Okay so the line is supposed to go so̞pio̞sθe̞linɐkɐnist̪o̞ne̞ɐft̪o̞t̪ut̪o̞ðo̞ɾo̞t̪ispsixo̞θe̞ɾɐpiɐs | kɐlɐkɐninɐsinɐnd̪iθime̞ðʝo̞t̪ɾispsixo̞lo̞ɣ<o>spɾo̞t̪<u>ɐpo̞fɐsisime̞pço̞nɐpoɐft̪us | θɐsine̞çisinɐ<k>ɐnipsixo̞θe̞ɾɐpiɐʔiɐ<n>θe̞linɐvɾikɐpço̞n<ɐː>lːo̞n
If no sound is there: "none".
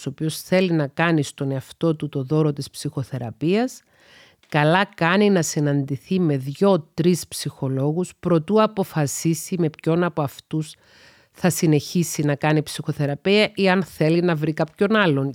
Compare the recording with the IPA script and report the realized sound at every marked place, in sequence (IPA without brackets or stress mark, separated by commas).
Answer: u, u, k, n, ɐ